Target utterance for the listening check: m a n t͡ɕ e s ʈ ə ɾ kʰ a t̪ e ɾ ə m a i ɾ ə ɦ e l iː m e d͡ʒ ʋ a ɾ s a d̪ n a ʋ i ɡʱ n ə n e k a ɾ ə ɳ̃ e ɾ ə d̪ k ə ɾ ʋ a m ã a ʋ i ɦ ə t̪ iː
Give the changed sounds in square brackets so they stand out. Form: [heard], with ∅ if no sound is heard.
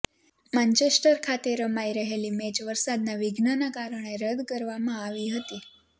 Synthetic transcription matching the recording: m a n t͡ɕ e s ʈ ə ɾ kʰ a t̪ e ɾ ə m a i ɾ ə ɦ e l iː m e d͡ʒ ʋ [ə] ɾ s a d̪ n a ʋ i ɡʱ n ə n [a] k a ɾ ə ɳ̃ e ɾ ə d̪ k ə ɾ ʋ a m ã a ʋ i ɦ ə t̪ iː